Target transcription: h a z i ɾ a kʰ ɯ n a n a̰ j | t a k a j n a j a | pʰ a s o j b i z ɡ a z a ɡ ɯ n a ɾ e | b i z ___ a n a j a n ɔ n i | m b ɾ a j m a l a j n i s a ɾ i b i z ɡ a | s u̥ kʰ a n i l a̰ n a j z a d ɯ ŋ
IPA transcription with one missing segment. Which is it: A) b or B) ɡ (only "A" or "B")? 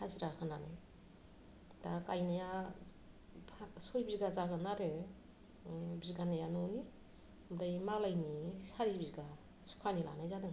B